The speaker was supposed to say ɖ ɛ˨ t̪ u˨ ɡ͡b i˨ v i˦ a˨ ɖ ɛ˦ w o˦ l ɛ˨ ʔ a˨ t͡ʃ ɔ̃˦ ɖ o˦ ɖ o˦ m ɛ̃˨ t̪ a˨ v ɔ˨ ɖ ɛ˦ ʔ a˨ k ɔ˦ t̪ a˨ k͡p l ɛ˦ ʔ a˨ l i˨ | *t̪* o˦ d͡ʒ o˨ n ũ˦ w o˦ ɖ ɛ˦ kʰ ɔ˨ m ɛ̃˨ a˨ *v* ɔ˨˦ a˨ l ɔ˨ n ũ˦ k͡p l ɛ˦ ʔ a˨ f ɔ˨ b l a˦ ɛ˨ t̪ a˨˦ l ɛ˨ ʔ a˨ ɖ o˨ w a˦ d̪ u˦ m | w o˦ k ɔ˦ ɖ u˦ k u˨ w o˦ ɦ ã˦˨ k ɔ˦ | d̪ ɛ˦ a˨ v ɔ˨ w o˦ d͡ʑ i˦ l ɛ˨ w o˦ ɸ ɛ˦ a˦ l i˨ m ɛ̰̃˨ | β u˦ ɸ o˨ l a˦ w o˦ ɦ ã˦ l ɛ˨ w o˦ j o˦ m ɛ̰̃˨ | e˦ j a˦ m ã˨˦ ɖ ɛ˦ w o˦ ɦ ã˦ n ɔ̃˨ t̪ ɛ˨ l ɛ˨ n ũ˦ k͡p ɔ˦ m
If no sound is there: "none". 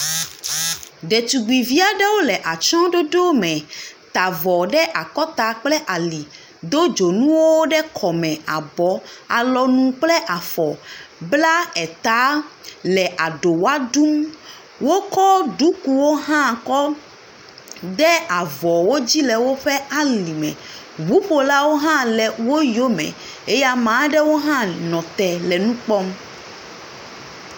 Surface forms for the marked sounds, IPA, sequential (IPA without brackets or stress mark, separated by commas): d̪, b